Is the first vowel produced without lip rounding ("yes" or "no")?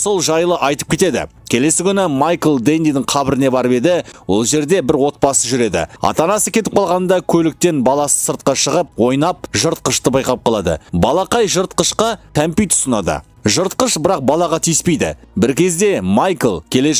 no